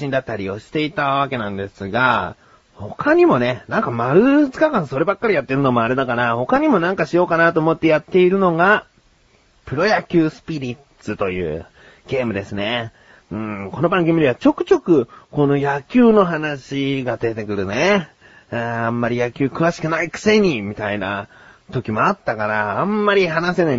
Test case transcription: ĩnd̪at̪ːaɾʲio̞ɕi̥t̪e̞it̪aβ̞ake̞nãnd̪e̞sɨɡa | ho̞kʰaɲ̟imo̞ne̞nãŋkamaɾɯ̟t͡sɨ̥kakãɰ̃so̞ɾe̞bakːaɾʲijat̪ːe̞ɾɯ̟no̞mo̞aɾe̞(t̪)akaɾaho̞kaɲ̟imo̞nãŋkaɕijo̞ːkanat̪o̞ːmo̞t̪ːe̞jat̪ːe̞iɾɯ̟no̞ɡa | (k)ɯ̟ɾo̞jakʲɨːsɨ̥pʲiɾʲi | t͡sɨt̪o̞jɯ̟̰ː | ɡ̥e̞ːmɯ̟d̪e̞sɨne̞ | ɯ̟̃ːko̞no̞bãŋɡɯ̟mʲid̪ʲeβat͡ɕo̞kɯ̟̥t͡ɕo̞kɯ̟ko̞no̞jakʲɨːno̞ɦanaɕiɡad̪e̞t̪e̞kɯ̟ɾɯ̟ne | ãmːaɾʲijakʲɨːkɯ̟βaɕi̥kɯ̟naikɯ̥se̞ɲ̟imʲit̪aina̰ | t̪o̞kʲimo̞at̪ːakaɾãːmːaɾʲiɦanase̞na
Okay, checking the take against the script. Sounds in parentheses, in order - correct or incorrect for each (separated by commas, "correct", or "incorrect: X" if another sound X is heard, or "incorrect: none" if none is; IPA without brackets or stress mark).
incorrect: d̪, incorrect: p